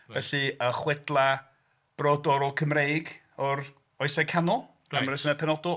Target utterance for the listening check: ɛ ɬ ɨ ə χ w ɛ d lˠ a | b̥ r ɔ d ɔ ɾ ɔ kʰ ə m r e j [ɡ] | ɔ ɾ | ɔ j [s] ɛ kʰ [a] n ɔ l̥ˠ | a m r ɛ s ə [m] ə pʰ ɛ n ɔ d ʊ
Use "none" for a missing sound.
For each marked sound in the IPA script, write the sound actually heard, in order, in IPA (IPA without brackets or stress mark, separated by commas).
ɡ, s, a, n